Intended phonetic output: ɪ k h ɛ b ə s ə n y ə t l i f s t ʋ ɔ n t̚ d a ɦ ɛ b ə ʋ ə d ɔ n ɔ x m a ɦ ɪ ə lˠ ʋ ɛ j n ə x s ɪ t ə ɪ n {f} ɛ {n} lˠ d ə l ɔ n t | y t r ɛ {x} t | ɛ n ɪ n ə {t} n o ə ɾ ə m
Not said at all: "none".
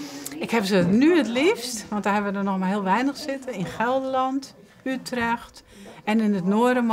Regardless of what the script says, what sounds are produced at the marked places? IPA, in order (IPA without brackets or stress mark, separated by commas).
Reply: x, none, x, t